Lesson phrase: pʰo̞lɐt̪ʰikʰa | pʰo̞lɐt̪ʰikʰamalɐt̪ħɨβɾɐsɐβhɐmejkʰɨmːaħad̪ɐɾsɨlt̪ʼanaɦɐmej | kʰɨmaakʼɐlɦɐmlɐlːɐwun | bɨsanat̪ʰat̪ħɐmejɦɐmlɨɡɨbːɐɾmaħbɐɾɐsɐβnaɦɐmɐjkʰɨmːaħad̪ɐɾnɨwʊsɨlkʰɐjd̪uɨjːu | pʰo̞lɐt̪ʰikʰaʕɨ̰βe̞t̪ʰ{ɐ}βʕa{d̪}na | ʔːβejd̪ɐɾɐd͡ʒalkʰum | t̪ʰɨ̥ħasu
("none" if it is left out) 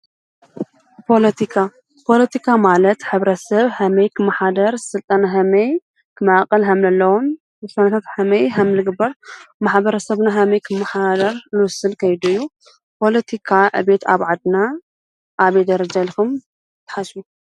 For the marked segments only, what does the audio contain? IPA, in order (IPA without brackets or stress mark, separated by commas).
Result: a, d̪